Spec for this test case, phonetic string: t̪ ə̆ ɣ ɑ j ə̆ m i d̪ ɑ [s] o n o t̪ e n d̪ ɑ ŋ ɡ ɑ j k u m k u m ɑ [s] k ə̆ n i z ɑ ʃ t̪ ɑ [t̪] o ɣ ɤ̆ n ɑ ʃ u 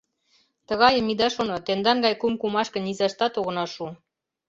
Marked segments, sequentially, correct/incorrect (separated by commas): incorrect, incorrect, correct